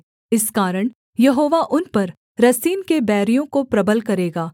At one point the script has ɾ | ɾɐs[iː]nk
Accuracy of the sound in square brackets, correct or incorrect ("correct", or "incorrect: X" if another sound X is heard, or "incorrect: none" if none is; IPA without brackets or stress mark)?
correct